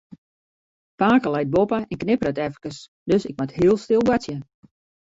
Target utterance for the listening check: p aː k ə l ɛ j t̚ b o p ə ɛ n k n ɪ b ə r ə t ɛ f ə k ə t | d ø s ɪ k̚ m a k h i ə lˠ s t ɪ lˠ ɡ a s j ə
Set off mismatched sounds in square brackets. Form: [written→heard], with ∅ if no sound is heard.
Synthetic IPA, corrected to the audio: p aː k ə l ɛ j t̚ b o p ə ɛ n k n ɪ [b→p] ə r ə t ɛ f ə k ə [t→s] | d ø s ɪ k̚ m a [k→t] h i ə lˠ s t ɪ lˠ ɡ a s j ə

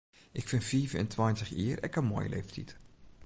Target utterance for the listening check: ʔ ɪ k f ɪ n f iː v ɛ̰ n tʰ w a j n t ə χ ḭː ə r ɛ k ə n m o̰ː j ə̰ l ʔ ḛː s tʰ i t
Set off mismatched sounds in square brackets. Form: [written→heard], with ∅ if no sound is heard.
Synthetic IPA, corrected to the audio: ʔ ɪ k f ɪ n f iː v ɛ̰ n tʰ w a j n t ə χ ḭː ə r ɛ k ə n m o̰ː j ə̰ l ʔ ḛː [s→f] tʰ i t

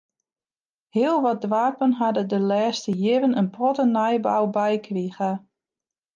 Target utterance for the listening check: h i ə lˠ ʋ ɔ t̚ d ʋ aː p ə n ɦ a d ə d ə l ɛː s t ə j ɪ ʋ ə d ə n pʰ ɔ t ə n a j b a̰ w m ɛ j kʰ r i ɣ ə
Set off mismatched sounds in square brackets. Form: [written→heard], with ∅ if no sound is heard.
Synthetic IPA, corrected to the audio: h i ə lˠ ʋ ɔ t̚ d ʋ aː p ə n ɦ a d ə d ə l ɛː s t ə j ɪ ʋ ə [d→n] ə n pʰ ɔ t ə n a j b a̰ w [m→b] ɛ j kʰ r i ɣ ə

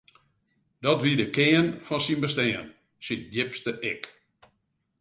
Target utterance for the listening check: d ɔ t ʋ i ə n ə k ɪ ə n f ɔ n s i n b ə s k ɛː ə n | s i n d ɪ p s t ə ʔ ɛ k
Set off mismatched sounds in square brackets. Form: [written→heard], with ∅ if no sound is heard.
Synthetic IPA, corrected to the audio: d ɔ t ʋ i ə [n→d] ə k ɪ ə n f ɔ n s i n b ə s [k→t] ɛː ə n | s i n d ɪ p s t ə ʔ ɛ k

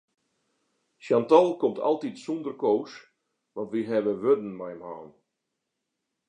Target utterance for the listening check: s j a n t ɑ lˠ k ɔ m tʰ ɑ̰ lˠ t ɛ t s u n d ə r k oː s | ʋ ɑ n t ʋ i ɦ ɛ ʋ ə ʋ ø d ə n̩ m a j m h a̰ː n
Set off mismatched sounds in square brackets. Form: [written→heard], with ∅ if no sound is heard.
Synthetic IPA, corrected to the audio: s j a n t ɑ lˠ k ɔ m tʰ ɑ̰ lˠ t [ɛ→i] t s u n d ə r k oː s | ʋ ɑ n t ʋ i ɦ ɛ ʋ ə ʋ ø d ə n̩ m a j m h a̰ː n

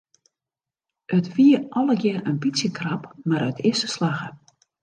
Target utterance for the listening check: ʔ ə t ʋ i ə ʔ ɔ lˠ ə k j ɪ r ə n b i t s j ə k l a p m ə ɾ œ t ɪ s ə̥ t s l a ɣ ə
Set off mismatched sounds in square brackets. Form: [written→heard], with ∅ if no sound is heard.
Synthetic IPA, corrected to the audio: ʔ ə t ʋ i ə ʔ ɔ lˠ ə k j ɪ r ə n b i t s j ə k [l→r] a p m [ə→a] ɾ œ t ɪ s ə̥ [t→∅] s l a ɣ ə

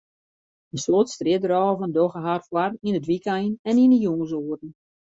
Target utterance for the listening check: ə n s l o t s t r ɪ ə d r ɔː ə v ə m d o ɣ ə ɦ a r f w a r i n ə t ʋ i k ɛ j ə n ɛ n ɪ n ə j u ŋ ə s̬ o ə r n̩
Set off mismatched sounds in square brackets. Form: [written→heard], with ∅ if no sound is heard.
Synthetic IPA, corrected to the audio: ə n s l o t s t r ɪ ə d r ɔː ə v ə [m→n] d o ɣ ə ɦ a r f w a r i n ə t ʋ i k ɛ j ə n ɛ n [ɪ→i] n ə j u ŋ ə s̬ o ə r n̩

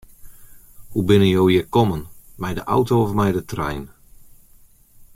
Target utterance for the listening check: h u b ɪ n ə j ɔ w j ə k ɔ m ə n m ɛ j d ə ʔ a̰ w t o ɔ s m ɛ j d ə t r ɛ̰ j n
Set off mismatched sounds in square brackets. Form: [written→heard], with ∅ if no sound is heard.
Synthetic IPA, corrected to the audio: h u b ɪ n ə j [ɔ→o] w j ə k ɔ m ə n m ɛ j d ə ʔ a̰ w t o ɔ [s→f] m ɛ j d ə t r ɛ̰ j n

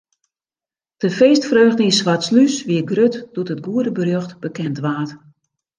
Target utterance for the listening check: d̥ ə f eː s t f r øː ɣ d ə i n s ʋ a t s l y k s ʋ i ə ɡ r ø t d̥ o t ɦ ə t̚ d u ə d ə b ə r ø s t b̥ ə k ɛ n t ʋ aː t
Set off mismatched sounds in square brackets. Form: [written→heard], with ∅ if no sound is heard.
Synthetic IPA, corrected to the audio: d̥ ə f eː s t f r øː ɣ d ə i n s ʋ a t s l y [k→∅] s ʋ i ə ɡ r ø t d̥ [o→u] t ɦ ə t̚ [d→ɡ] u ə d ə b ə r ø [s→x] t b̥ ə k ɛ n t ʋ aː t

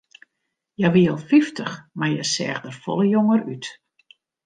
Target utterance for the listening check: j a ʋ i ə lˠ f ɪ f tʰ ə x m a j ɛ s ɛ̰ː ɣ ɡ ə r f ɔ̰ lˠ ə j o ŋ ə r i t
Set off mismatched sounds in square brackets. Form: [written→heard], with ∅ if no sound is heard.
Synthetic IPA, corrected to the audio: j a ʋ i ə lˠ f [ɪ→i] f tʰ ə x m a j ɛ s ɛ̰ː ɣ [ɡ→d] ə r f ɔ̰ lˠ ə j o ŋ ə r [i→y] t

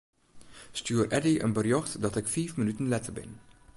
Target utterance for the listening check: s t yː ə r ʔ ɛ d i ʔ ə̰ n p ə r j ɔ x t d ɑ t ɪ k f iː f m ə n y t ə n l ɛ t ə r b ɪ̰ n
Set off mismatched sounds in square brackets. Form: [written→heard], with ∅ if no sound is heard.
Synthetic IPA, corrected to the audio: s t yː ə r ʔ ɛ d i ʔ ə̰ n [p→b] ə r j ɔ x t d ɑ t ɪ k f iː f m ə n y t ə n l ɛ t ə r b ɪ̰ n

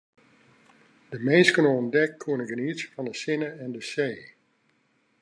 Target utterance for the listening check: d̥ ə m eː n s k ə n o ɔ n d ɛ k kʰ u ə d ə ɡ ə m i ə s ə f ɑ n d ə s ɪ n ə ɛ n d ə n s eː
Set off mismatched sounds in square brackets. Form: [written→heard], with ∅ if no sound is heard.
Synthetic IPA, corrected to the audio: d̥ ə m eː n s k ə n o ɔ n d ɛ k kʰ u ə [d→n] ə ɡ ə [m→n] i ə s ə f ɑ n d ə s ɪ n ə ɛ n d ə [n→∅] s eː

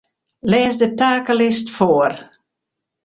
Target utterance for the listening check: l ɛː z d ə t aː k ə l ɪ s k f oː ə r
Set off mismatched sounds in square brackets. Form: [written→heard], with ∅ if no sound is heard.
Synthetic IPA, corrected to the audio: l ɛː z d ə t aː k ə l ɪ s [k→t] f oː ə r

